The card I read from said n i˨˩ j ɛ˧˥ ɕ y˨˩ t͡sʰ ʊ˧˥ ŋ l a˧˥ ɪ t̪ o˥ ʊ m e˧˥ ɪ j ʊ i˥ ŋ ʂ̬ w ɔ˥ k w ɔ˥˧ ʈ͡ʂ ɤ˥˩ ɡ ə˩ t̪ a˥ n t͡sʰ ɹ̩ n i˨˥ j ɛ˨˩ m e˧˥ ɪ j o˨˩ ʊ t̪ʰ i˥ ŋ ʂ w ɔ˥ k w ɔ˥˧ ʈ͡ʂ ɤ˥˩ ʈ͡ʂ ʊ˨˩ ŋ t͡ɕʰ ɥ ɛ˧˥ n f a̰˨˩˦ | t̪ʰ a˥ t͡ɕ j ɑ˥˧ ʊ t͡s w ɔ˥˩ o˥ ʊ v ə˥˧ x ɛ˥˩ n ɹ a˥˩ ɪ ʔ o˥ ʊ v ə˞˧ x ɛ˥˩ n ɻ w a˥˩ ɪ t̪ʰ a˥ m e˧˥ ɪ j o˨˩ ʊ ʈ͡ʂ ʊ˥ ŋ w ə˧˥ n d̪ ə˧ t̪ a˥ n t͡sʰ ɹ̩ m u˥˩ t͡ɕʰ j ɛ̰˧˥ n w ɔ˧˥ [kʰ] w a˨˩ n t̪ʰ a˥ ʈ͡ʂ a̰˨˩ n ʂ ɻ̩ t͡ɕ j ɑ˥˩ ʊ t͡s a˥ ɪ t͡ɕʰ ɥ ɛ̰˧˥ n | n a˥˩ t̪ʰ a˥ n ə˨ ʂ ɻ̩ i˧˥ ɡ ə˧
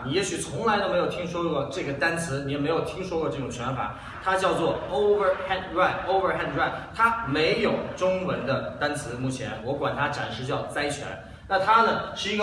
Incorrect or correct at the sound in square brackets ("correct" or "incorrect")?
incorrect